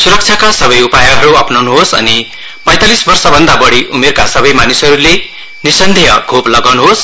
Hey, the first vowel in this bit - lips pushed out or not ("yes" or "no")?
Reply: yes